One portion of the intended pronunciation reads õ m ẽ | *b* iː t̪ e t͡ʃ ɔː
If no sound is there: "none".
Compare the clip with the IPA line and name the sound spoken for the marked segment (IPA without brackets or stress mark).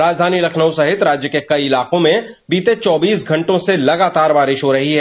b